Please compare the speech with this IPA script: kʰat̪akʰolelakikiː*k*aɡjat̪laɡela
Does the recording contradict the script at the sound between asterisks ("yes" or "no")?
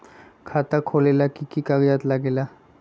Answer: no